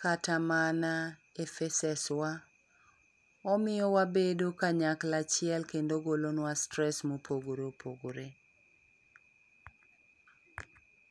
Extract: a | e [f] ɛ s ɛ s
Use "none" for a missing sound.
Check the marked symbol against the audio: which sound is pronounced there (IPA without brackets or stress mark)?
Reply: f